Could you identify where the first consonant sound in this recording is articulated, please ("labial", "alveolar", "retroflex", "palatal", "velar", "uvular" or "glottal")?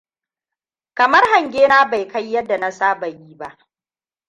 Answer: velar